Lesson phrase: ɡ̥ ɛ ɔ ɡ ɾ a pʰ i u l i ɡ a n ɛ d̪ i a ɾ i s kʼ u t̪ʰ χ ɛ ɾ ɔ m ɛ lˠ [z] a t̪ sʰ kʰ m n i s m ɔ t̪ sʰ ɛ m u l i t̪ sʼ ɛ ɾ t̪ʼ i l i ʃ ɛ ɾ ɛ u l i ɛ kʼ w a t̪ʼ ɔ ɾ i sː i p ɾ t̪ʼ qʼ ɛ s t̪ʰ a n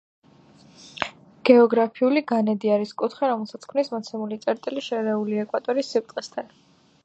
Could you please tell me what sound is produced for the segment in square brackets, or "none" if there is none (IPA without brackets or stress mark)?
s